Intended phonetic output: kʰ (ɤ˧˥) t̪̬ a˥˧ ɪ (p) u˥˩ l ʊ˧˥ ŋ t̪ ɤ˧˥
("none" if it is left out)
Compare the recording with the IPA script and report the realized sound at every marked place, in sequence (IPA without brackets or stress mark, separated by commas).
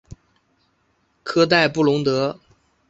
ɤ˥, p